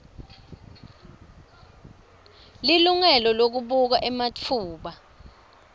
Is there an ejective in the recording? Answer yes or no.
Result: no